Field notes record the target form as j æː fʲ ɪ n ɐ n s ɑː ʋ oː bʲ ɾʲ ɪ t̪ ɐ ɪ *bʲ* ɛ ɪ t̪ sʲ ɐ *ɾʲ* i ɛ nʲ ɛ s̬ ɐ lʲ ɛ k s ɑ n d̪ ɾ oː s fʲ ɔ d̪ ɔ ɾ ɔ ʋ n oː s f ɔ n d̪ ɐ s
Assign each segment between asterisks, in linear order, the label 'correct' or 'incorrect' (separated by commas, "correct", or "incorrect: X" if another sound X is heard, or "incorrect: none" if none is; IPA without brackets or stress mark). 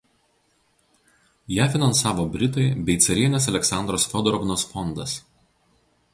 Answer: correct, correct